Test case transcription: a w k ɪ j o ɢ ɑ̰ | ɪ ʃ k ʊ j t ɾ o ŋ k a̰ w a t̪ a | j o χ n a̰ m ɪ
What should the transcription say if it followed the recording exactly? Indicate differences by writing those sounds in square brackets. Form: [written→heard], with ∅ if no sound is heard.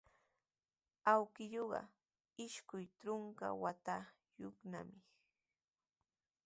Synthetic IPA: a w k ɪ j o ɢ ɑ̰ | ɪ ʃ k ʊ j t ɾ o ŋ k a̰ w a t̪ a | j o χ n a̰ m ɪ